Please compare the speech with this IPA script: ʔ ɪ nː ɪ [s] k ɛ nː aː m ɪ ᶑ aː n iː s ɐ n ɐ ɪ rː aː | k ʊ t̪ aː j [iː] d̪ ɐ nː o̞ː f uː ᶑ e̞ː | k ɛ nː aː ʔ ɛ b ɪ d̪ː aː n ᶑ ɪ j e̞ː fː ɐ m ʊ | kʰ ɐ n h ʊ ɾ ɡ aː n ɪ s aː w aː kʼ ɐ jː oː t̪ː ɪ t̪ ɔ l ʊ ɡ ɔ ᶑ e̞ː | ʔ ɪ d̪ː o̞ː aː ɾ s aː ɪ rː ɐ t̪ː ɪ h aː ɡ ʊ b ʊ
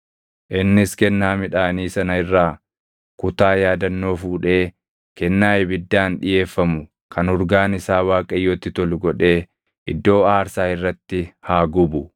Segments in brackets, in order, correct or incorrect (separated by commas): correct, incorrect